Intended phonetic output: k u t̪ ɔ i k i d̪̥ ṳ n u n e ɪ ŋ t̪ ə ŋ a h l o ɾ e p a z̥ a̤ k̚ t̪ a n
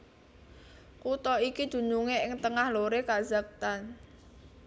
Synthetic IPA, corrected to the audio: k u t̪ ɔ i k i d̪̥ ṳ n u ŋ e ɪ ŋ t̪ ə ŋ a h l o ɾ e k a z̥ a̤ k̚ t̪ a n